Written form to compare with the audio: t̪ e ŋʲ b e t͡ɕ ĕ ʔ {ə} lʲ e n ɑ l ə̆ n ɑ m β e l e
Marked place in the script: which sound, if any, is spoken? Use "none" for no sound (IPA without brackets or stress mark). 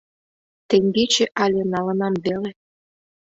ɑ